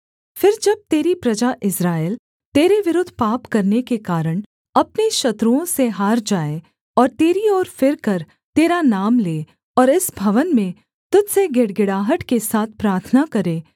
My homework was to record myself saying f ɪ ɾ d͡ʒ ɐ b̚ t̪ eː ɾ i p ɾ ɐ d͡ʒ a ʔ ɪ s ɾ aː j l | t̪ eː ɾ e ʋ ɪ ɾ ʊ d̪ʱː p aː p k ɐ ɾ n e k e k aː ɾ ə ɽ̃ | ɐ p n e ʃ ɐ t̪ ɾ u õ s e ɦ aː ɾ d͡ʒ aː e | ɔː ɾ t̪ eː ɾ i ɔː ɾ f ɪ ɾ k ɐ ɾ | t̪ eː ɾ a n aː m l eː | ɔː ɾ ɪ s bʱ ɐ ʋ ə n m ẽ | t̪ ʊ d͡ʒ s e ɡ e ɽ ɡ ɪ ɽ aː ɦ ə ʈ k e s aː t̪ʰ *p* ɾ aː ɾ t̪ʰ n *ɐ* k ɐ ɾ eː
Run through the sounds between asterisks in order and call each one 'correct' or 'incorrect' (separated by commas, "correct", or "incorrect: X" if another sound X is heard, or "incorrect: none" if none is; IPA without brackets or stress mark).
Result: correct, incorrect: a